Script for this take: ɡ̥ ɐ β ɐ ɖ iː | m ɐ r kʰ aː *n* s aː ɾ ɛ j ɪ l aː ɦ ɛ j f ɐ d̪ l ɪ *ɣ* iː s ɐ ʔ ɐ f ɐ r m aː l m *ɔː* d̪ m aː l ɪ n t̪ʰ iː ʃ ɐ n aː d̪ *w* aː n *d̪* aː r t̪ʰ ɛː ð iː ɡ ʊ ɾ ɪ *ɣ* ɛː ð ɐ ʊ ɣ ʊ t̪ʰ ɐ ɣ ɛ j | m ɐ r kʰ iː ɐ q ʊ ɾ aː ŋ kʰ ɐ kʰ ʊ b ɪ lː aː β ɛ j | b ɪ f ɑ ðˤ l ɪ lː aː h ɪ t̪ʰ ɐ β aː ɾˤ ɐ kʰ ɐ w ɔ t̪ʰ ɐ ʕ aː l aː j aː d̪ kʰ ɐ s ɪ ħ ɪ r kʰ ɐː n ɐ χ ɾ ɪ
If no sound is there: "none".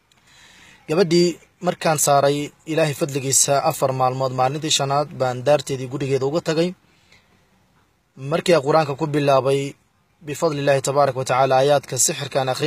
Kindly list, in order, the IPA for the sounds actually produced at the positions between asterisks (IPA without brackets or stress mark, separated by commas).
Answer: n, ɣ, ɔː, b, d̪, ɣ